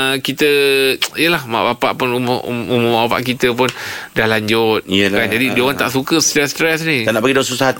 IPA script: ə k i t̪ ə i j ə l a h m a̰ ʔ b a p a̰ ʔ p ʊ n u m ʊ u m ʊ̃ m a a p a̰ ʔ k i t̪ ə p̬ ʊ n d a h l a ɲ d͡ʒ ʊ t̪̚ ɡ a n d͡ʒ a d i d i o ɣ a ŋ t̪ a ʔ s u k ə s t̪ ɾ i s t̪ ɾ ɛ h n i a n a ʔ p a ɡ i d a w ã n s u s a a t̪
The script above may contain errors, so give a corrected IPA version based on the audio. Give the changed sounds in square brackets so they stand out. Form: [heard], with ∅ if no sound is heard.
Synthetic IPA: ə k i t̪ ə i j ə l a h m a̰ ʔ b a p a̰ ʔ p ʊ n u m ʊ u m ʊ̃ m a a p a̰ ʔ k i t̪ ə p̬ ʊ n d a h l a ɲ d͡ʒ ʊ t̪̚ [k] a n d͡ʒ a d i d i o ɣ a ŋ t̪ a ʔ s u k ə s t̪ ɾ [ɛ] s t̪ ɾ ɛ [s] n i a n a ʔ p a ɡ i d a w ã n s u s a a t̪